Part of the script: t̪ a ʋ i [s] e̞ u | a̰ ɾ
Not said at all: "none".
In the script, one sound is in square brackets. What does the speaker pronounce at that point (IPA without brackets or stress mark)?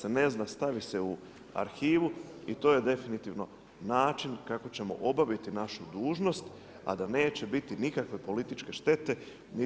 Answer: s